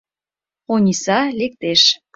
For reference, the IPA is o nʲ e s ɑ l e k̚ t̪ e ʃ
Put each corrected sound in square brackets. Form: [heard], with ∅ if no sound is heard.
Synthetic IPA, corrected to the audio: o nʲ [i] s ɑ l e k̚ t̪ e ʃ